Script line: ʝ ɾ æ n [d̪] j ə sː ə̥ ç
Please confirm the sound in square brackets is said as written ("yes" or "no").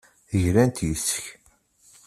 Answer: no